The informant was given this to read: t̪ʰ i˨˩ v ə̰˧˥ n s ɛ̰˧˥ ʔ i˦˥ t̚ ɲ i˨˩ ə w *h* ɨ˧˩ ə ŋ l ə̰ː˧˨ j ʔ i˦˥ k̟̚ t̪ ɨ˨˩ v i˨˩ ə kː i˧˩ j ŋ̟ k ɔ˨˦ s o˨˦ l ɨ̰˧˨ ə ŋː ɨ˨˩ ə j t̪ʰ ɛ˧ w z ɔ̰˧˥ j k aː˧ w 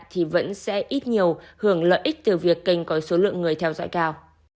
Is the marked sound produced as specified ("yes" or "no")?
yes